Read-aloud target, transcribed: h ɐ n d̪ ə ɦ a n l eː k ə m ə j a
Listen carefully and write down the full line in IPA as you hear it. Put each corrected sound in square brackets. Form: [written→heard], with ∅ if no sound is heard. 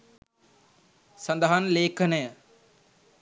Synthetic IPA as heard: [h→s] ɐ n d̪ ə ɦ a n l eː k ə [m→n] ə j [a→ə]